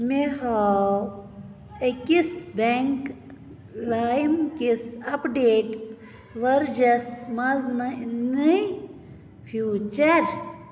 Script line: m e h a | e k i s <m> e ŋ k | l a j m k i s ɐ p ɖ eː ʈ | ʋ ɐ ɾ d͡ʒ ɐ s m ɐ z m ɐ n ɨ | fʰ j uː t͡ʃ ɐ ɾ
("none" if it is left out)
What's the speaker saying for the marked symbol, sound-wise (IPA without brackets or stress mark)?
b